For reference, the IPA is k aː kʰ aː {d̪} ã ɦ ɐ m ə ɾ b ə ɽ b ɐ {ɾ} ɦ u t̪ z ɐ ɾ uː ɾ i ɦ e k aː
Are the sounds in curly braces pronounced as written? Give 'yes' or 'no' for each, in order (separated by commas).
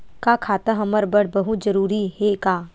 no, no